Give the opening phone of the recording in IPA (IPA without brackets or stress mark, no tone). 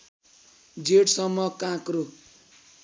d͡z